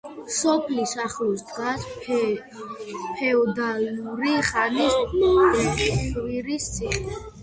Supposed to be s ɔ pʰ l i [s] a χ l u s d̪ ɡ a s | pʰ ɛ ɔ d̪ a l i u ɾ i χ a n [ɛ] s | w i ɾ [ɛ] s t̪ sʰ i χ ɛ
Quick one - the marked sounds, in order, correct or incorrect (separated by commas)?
correct, incorrect, incorrect